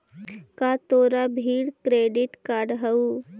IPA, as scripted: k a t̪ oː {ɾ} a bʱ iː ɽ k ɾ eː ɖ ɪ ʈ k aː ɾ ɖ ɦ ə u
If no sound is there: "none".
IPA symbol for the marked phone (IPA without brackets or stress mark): ɾ